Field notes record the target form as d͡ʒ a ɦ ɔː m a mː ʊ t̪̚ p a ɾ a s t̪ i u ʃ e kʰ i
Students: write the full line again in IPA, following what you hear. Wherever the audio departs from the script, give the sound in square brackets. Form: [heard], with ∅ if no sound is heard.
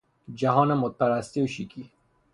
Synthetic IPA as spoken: d͡ʒ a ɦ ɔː [n] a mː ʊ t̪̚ p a ɾ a s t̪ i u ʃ [i] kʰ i